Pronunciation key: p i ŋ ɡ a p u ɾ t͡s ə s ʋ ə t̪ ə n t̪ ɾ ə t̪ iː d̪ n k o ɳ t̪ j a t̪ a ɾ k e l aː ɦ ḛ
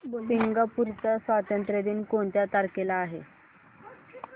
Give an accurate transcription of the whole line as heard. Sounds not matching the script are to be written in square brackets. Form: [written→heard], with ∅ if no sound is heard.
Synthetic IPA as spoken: p i ŋ ɡ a p u ɾ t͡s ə s ʋ [ə→a] t̪ ə n t̪ ɾ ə [t̪→d̪] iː [d̪→∅] n k o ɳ t̪ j a t̪ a ɾ k e l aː ɦ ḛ

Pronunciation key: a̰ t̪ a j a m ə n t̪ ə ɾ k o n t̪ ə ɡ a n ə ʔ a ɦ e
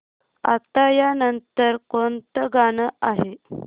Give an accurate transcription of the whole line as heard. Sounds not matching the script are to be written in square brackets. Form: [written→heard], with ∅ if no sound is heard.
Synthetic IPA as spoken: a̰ t̪ a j a [m→n] ə n t̪ ə ɾ k o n t̪ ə ɡ a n ə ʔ a ɦ e

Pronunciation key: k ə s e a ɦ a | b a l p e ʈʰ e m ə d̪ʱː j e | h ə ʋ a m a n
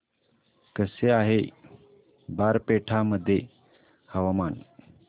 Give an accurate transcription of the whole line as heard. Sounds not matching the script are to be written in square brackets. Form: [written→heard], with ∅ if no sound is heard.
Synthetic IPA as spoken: k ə s e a ɦ [a→e] | b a [l→ɾ] p e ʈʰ [e→a] m ə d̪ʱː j e | h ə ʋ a m a n

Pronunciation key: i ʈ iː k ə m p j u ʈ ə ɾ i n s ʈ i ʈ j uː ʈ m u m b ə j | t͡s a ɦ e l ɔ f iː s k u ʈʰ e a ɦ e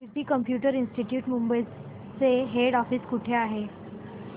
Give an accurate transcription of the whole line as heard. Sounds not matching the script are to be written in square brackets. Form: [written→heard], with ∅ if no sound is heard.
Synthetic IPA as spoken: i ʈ iː k ə m p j u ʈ ə ɾ i n s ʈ i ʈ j uː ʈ m u m b ə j | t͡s [a→e] ɦ e [l→ɽ] ɔ f iː s k u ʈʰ e a ɦ e

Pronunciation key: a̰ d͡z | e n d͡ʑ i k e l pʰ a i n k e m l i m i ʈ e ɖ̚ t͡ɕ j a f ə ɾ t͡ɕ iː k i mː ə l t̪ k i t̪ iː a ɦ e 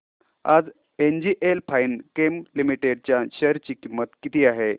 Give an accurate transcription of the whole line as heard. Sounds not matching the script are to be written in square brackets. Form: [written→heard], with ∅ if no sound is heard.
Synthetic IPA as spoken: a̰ d͡z | e n d͡ʑ i [k→ʔ] e l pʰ a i n k e m l i m i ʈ e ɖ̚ t͡ɕ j a [f→ɕ] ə ɾ t͡ɕ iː k i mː ə [l→∅] t̪ k i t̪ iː a ɦ e

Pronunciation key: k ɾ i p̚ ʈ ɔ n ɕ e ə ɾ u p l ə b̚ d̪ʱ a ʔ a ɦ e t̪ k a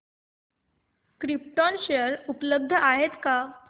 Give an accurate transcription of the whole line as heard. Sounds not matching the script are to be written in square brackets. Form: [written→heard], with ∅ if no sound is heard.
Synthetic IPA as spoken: k ɾ i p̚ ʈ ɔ n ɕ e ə ɾ u p l ə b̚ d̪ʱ [a→ə] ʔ a ɦ e t̪ k a

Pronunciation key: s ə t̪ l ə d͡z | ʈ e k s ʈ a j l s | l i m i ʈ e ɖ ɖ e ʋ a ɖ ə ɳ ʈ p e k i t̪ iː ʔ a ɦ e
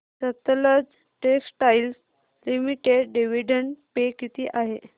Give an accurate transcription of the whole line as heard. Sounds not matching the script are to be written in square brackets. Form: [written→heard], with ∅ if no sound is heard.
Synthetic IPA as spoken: s ə t̪ l ə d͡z | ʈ e k s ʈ a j l s | l i m i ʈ e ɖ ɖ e ʋ [a→i] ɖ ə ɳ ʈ p e k i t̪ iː ʔ a ɦ e

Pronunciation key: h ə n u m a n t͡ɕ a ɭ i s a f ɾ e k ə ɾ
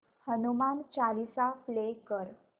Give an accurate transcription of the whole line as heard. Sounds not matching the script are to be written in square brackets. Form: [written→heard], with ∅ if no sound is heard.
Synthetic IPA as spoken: h ə n u m a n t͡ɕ a [ɭ→l] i s a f [ɾ→l] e k ə ɾ

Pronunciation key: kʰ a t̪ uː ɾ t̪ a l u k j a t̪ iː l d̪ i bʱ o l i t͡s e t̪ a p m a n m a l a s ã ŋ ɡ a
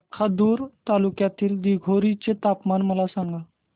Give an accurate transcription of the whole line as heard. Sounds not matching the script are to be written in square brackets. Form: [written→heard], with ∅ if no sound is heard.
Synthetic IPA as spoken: kʰ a [t̪→d̪] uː ɾ t̪ a l u k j a t̪ iː l d̪ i [bʱ→ɡʱ] o [l→ɾ] i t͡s e t̪ a p m a n m [a→ə] l a s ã ŋ ɡ a

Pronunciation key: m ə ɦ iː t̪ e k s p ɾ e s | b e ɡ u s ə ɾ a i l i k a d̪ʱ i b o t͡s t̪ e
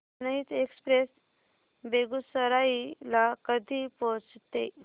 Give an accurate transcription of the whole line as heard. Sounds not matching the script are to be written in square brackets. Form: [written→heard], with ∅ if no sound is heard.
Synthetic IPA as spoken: [m→n] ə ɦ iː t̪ e k s p ɾ e s | b e ɡ u s ə ɾ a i l [i→a] k [a→ə] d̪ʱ i [b→p] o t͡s t̪ e

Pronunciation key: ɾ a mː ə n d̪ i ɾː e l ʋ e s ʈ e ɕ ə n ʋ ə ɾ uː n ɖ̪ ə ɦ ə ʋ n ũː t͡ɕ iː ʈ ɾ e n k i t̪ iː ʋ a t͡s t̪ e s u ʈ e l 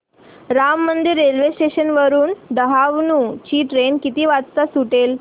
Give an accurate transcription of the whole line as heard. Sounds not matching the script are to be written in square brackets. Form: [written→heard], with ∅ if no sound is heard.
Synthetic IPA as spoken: ɾ a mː ə n d̪ i ɾː e l ʋ e s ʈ e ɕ ə n ʋ ə ɾ uː n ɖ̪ ə ɦ [ə→a] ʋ n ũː t͡ɕ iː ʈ ɾ e n k i t̪ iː ʋ a t͡s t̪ [e→a] s u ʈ e l

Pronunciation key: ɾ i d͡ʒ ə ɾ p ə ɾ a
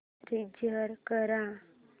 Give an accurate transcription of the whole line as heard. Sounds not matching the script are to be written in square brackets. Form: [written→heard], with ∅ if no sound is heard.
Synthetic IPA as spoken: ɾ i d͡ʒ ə ɾ [p→k] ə ɾ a

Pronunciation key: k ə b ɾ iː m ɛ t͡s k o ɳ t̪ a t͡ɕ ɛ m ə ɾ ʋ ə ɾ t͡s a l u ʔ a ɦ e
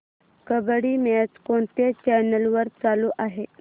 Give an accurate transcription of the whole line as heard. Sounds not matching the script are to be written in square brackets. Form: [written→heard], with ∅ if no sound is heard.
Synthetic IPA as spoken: k ə b [ɾ→ɽ] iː m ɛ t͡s k o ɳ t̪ [a→e] t͡ɕ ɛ [m→n] ə [ɾ→l] ʋ ə ɾ t͡s a l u ʔ a ɦ e

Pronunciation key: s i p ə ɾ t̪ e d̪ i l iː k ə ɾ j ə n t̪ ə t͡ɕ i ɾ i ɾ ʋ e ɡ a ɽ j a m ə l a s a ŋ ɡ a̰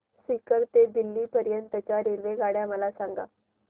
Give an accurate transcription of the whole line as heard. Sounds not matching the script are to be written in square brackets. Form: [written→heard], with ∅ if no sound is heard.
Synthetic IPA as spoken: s i [p→k] ə ɾ t̪ e d̪ i [l→lː] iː [k→p] ə ɾ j ə n t̪ ə t͡ɕ [i→a] ɾ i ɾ ʋ e ɡ a ɽ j a m ə l a s a ŋ ɡ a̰

